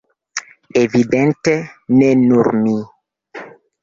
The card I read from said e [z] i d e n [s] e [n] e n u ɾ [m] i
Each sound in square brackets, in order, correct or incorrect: incorrect: v, incorrect: t, correct, correct

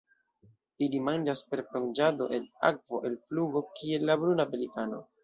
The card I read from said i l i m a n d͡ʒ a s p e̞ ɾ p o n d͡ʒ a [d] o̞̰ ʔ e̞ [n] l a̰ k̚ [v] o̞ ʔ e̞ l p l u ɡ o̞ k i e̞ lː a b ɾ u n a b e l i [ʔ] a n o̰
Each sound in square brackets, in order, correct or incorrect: correct, incorrect: none, correct, incorrect: k

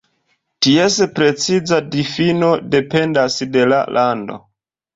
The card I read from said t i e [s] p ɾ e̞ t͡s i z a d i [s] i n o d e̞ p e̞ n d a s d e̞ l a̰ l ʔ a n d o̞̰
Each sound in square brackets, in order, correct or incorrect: correct, incorrect: f

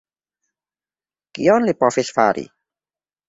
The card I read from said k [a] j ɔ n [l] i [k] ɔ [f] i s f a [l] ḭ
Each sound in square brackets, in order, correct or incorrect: incorrect: i, correct, incorrect: p, correct, incorrect: ɾ

